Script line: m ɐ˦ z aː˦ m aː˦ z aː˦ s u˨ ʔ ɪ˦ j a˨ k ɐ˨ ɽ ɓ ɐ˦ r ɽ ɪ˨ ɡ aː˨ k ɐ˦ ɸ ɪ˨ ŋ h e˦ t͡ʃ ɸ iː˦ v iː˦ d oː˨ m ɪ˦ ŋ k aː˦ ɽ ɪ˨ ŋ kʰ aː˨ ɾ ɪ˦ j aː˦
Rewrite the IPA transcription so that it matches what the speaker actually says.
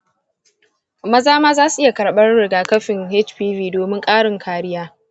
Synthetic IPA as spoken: m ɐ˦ z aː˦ m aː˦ z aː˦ s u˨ ʔ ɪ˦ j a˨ k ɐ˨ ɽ ɓ ɐ˦ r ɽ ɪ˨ ɡ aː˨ k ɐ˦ ɸ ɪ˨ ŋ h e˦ t͡ʃ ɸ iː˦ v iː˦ d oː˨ m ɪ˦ ŋ kʼ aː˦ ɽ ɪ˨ ŋ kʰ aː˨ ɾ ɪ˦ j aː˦